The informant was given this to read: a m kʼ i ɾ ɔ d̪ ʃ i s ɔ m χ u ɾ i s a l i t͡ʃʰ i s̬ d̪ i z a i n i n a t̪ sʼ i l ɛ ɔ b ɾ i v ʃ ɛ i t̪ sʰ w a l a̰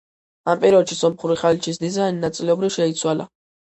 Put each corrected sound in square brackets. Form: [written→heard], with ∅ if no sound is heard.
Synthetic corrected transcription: a m [kʼ→pʼ] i ɾ ɔ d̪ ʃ i s ɔ m χ u ɾ i [s→χ] a l i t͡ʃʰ i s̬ d̪ i z a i n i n a t̪ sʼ i l ɛ ɔ b ɾ i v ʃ ɛ i t̪ sʰ w a l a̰

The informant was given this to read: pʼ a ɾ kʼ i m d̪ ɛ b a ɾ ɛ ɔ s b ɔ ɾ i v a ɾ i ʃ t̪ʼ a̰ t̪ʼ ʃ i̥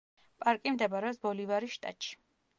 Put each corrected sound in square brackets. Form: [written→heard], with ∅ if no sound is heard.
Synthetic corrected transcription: pʼ a ɾ kʼ i m d̪ ɛ b a ɾ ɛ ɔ s b ɔ [ɾ→l] i v a ɾ i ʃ t̪ʼ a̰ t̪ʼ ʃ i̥

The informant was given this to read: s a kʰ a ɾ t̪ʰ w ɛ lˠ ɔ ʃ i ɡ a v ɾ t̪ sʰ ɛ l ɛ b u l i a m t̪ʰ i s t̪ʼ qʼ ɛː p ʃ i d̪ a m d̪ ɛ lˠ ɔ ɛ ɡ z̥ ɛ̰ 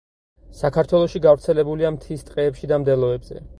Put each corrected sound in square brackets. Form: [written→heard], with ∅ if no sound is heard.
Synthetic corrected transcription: s a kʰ a ɾ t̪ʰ w ɛ lˠ ɔ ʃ i ɡ a v ɾ t̪ sʰ ɛ l ɛ b u l i a m t̪ʰ i s t̪ʼ qʼ ɛː p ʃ i d̪ a m d̪ ɛ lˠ ɔ ɛ [ɡ→b] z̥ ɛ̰

